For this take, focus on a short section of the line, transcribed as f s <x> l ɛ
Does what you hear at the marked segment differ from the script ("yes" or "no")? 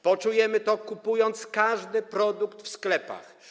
yes